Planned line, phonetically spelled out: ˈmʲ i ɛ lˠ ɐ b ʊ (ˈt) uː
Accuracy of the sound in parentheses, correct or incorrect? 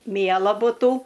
correct